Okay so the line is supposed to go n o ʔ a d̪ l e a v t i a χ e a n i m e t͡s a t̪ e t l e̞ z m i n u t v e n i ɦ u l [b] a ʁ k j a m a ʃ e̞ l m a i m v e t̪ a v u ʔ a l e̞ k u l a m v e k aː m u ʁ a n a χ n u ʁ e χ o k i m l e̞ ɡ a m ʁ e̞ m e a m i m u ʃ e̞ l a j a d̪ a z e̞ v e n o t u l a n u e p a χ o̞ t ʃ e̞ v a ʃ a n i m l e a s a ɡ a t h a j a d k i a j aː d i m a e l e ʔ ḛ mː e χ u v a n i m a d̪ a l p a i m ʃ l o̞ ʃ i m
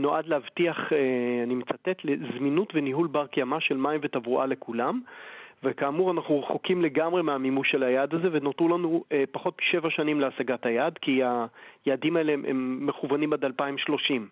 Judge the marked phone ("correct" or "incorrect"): correct